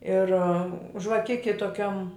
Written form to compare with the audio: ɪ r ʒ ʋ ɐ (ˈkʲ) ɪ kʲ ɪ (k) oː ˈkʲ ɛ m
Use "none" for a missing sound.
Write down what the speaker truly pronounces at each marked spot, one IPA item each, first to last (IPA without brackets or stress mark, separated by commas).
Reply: kʲ, t